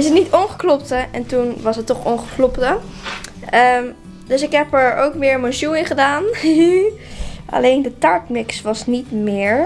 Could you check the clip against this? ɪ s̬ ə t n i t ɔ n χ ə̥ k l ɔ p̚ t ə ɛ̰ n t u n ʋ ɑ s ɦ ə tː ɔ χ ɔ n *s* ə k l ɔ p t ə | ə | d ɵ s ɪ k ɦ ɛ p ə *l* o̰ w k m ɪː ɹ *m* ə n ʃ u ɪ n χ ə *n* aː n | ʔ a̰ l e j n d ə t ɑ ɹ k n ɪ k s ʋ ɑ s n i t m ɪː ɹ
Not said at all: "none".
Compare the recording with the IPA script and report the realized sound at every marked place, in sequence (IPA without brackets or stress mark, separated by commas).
χ, ɹ, m, d